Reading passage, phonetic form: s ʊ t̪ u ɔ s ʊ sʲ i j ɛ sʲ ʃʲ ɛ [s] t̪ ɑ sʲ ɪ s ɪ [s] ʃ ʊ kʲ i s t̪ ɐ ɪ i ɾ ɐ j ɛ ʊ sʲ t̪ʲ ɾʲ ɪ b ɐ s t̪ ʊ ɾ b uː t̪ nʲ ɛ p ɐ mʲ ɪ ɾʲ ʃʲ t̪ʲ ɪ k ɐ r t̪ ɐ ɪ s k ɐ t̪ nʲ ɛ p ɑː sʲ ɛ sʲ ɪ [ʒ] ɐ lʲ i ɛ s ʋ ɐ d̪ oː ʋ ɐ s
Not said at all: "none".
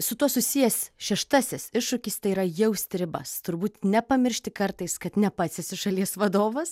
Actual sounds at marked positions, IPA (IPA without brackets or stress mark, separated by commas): ʃ, ʃ, ʃ